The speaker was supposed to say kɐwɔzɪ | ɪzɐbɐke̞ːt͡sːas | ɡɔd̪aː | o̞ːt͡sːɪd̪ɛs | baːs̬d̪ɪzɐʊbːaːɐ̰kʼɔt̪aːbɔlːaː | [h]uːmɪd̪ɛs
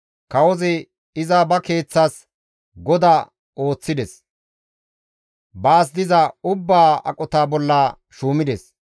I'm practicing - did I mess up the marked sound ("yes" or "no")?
yes